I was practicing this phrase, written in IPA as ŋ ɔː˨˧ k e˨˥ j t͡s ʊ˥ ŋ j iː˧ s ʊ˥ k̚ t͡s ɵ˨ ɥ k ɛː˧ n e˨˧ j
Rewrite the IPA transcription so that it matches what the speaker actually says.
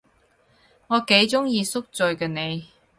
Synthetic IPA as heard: ŋ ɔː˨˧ k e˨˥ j t͡s ʊ˥ ŋ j iː˧ s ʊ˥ k̚ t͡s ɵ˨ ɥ k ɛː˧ n e˨˧ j